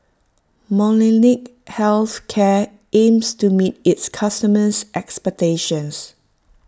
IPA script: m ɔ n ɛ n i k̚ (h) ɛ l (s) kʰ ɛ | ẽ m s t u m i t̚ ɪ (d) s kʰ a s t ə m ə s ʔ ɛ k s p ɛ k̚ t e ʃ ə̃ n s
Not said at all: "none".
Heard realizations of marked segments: h, θ, t

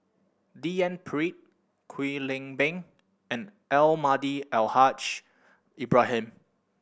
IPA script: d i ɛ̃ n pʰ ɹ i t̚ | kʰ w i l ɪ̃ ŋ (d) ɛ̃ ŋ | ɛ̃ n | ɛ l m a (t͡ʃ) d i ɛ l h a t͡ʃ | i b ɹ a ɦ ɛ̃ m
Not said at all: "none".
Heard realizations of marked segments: b, none

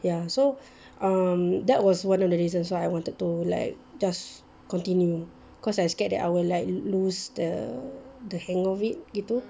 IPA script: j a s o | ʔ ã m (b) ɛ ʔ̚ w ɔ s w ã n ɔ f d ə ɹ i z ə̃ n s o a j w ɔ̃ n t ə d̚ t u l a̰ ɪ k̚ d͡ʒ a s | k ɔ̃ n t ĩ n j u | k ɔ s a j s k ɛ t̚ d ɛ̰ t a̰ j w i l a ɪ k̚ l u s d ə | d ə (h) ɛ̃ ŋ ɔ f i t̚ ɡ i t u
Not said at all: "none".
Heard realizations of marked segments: d, h

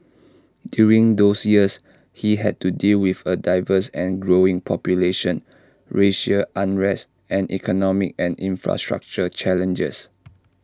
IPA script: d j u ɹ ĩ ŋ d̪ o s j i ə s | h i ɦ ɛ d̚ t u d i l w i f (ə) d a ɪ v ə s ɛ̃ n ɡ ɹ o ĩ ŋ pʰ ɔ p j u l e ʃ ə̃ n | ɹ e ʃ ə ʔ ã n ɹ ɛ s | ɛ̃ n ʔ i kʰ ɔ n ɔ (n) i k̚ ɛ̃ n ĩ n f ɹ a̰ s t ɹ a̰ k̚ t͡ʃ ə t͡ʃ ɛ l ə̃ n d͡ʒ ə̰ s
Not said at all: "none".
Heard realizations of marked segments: ə, m

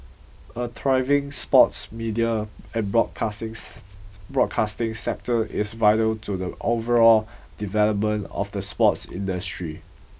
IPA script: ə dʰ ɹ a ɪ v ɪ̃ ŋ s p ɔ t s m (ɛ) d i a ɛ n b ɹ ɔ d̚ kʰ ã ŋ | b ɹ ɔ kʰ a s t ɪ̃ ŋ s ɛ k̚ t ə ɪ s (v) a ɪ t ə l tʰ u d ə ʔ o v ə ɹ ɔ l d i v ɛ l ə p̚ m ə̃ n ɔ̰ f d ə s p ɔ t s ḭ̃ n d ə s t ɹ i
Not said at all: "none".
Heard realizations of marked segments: i, v

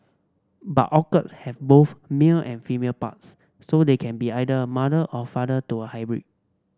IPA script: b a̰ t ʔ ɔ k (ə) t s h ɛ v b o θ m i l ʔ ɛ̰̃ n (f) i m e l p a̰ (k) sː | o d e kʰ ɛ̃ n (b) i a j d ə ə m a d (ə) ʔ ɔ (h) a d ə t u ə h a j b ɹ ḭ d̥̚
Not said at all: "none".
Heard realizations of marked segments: ə, f, t, b, ə, f

